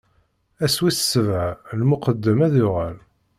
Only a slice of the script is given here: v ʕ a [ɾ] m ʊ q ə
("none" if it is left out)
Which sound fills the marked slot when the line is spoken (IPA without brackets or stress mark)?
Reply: l